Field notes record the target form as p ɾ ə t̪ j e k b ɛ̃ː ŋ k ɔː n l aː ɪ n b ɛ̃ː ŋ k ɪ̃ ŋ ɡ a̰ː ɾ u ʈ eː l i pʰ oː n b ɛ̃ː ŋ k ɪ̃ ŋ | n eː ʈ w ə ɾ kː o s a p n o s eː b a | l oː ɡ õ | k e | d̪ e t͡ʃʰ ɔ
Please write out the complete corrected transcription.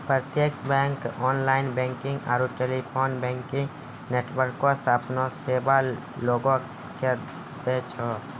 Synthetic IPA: p ɾ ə t̪ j e k b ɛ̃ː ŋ k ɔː n l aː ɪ n b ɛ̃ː ŋ k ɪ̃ ŋ ɡ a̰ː ɾ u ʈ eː l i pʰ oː n b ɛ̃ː ŋ k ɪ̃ ŋ | n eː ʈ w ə ɾ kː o s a p n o s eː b a | l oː ɡ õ | k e | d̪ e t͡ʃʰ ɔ

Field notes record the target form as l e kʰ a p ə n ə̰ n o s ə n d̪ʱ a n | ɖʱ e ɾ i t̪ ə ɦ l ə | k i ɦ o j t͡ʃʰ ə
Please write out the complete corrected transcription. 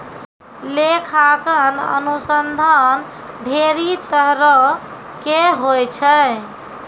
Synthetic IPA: l e kʰ a k ə n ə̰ n u s ə n d̪ʱ a n | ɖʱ e ɾ i t̪ ə ɦ ɾ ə | k e ɦ o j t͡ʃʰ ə

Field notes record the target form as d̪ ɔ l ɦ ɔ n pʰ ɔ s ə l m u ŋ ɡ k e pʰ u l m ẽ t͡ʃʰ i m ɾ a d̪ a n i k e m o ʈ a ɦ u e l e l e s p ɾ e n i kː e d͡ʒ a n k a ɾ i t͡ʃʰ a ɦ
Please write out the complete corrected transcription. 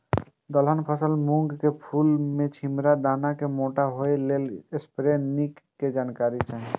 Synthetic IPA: d̪ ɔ l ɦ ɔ n pʰ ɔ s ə l m u ŋ ɡ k e pʰ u l m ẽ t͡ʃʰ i m ɾ a d̪ a n a k e m o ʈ a ɦ o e l e l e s p ɾ e n i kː e d͡ʒ a n k a ɾ i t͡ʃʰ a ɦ

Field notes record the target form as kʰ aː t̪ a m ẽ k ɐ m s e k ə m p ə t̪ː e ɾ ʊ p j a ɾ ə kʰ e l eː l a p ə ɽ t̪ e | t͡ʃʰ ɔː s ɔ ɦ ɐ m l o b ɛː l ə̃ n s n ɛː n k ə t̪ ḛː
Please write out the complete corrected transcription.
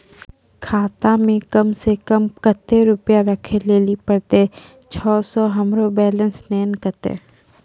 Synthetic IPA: kʰ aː t̪ a m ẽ k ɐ m s e k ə m k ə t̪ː e ɾ ʊ p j a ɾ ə kʰ e l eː l i p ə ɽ t̪ e | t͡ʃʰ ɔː s ɔ ɦ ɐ m ɾ o b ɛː l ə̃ n s n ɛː n k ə t̪ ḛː

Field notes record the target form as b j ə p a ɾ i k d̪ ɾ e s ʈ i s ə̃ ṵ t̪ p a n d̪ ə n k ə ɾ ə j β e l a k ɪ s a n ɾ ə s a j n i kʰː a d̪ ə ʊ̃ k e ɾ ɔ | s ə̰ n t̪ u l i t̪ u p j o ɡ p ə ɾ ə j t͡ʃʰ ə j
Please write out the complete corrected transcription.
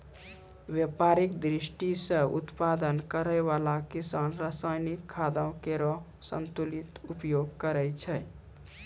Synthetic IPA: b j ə p a ɾ i k d̪ ɾ i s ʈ i s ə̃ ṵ t̪ p a d̪ ə n k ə ɾ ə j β a l a k i s a n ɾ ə s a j n i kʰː a d̪ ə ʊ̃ k e ɾ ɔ | s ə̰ n t̪ u l i t̪ u p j o ɡ k ə ɾ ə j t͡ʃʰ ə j

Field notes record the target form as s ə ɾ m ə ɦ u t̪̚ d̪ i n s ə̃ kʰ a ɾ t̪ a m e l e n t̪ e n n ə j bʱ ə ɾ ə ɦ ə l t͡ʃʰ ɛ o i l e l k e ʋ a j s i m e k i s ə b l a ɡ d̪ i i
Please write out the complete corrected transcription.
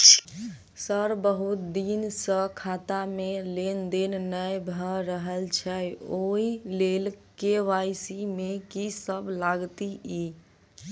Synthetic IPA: s ə ɾ b ə ɦ u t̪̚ d̪ i n s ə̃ kʰ a t̪ a m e l e n d̪ e n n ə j bʱ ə ɾ ə ɦ ə l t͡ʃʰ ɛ o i l e l k e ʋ a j s i m e k i s ə b l a ɡ t̪ i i

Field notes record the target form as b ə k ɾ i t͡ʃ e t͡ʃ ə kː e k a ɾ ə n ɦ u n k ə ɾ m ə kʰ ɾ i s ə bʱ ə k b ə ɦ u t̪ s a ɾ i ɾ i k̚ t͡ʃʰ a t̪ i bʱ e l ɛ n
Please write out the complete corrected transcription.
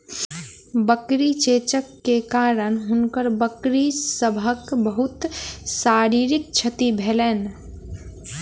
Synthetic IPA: b ə k ɾ i t͡ʃ e t͡ʃ ə kː e k a ɾ ə n ɦ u n k ə ɾ b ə k ɾ i s ə bʱ ə k b ə ɦ u t̪ s a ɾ i ɾ i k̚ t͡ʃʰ ə t̪ i bʱ e l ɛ n

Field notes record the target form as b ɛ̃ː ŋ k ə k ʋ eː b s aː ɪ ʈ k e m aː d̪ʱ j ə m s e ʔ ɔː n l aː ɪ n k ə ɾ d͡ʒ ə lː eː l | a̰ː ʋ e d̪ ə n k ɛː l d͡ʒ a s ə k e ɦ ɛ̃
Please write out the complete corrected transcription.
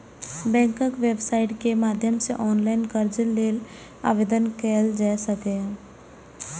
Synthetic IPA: b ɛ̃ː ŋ k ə k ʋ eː b s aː ɪ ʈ k e m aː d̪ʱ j ə m s e ʔ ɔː n l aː ɪ n k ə ɾ d͡ʒ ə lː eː l | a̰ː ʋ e d̪ ə n k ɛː l d͡ʒ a s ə k e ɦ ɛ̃

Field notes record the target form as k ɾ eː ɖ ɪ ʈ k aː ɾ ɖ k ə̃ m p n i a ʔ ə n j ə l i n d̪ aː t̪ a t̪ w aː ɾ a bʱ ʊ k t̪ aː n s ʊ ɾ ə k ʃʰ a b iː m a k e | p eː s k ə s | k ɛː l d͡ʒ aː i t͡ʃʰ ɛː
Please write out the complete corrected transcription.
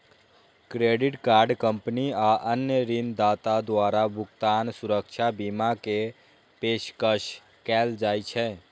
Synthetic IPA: k ɾ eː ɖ ɪ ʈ k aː ɾ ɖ k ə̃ m p n i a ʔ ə n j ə ɾ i n d̪ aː t̪ a d̪ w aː ɾ a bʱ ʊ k t̪ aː n s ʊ ɾ ə k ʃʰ a b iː m a k e | p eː ʃ k ə ʃ | k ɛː l d͡ʒ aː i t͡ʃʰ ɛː

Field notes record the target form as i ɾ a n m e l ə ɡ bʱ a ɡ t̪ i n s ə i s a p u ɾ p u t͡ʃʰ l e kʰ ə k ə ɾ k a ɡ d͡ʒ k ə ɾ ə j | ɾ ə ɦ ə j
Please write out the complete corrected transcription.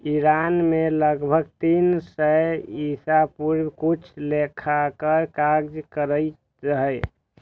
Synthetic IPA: i ɾ a n m e l ə ɡ bʱ ə ɡ t̪ i n s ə i s a p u ɾ k u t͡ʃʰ l e kʰ a k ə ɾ k a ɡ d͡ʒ k ə ɾ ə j | ɾ ə ɦ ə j

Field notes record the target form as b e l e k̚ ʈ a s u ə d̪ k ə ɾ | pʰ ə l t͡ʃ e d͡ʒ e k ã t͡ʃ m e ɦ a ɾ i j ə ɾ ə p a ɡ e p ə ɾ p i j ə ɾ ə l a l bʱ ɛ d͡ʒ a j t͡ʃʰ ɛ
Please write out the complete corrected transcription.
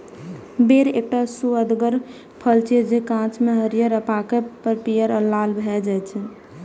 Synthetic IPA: b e ɾ e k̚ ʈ a s u ə d̪ ɡ ə ɾ | pʰ ə l t͡ʃ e d͡ʒ e k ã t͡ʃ m e ɦ ə ɾ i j ə ɾ ə p a k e p ə ɾ p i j ə ɾ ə l a l bʱ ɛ d͡ʒ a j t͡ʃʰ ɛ

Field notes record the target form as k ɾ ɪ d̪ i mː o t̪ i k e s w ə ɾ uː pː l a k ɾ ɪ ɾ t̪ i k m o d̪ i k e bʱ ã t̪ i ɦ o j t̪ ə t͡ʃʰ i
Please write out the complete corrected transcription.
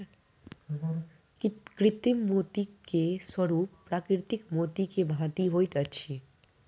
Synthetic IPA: k ɾ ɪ t̪ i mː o t̪ i k e s w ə ɾ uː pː ɾ a k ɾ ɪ ɾ t̪ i k m o t̪ i k e bʱ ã t̪ i ɦ o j t̪ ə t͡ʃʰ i

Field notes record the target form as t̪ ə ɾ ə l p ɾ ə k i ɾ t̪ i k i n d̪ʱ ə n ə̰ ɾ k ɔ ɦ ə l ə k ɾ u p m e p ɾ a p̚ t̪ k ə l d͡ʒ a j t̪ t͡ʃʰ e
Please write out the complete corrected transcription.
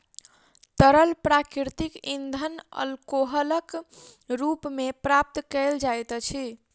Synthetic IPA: t̪ ə ɾ ə l p ɾ a k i ɾ t̪ i k i n d̪ʱ ə n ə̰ l k o ɦ ə l ə k ɾ u p m e p ɾ a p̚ t̪ k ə l d͡ʒ a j t̪ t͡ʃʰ i

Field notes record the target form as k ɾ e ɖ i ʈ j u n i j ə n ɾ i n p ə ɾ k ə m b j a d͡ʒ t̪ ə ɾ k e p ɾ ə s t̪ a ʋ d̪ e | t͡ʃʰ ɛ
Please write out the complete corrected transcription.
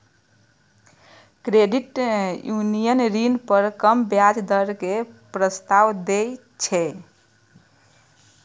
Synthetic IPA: k ɾ e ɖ i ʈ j u n i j ə n ɾ i n p ə ɾ k ə m b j a d͡ʒ d̪ ə ɾ k e p ɾ ə s t̪ a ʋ d̪ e | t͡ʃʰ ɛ

